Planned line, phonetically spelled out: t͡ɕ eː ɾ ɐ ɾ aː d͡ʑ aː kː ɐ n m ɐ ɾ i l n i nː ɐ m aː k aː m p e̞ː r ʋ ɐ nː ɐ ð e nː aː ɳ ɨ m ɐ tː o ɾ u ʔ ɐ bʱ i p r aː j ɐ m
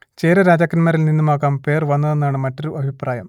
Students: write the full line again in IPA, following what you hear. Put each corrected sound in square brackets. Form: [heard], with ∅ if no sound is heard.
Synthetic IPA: t͡ɕ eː ɾ ɐ ɾ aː d͡ʑ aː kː ɐ n m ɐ ɾ i l n i nː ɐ m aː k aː m p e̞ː r ʋ ɐ nː ɐ ð e nː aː ɳ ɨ m ɐ tː o ɾ u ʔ ɐ bʱ i p r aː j ɐ m